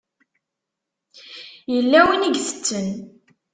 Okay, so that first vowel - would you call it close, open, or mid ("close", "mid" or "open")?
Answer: mid